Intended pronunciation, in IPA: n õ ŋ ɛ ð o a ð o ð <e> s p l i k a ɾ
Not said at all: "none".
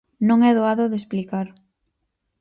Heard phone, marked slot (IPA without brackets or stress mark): e